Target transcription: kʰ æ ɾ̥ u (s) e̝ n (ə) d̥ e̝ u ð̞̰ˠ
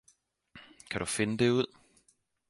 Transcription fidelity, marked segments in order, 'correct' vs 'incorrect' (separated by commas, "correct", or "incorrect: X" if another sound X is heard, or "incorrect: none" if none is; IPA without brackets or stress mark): incorrect: f, correct